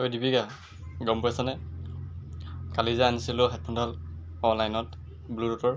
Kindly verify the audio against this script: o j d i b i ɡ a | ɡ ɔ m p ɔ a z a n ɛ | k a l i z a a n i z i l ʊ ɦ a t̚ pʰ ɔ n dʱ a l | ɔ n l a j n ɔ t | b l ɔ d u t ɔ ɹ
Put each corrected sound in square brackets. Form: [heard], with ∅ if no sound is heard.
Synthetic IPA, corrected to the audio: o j d i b i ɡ a | ɡ ɔ m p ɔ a [s] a n ɛ | k a l i z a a n i [s] i l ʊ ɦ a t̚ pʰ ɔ n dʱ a l | ɔ n l a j n ɔ t | b l [u] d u t ɔ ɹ